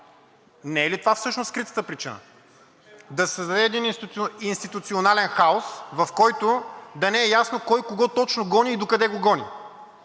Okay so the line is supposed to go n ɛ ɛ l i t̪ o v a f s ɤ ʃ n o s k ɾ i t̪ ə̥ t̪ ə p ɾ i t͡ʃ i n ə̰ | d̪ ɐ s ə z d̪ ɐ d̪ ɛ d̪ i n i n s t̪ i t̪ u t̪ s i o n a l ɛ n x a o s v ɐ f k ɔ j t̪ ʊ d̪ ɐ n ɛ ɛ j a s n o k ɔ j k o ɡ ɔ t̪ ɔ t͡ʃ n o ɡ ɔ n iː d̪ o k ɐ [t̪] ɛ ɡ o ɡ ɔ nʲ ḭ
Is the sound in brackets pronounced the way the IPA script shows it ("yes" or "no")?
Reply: no